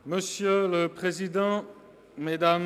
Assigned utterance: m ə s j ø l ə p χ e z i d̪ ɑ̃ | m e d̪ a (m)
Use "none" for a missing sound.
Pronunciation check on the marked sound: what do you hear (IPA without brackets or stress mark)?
m